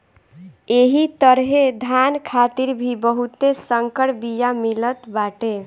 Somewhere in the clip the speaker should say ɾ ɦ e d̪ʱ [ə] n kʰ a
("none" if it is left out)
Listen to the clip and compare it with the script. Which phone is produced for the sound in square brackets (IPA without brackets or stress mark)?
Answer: a